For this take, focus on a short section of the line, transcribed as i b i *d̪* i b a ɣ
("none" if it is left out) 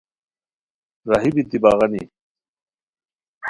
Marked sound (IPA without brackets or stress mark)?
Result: t̪